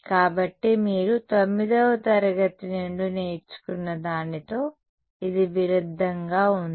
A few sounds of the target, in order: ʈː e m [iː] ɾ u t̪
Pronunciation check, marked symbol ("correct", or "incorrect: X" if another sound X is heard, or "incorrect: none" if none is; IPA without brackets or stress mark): correct